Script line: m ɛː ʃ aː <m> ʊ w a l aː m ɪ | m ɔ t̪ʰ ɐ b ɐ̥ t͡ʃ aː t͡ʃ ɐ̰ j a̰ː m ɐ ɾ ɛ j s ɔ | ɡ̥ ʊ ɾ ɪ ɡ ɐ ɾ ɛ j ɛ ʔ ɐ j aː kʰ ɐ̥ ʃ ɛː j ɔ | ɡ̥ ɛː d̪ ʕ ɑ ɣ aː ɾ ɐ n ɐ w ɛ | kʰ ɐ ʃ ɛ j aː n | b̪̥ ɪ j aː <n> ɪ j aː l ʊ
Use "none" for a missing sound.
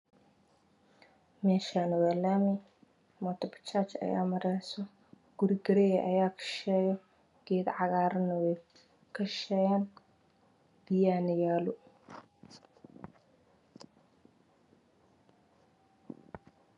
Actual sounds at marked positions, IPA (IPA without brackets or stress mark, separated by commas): n, n